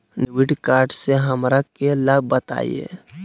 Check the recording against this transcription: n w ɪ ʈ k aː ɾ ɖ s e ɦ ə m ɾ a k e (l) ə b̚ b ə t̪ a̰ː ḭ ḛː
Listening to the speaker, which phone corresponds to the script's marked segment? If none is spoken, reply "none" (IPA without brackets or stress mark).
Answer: l